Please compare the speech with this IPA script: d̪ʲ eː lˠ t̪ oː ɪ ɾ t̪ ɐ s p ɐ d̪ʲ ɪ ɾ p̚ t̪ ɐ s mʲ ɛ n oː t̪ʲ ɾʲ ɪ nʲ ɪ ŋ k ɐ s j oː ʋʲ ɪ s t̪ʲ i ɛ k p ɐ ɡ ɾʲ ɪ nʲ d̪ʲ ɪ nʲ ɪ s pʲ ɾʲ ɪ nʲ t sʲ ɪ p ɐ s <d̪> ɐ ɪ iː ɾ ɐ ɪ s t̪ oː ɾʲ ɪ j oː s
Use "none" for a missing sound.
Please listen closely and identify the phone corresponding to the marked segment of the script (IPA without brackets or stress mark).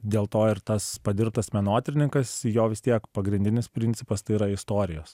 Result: t̪